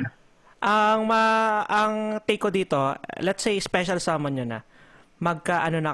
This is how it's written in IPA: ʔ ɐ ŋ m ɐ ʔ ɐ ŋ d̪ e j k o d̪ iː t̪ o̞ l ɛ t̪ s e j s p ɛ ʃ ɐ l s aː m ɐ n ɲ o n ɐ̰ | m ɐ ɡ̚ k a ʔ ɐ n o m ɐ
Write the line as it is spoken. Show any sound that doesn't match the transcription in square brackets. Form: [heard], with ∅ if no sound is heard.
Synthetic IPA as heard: ʔ ɐ ŋ m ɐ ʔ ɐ ŋ [t̪] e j k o d̪ iː t̪ o̞ l ɛ t̪ s e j s p ɛ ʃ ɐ l s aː m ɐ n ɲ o n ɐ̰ | m ɐ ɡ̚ k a ʔ ɐ n o [n] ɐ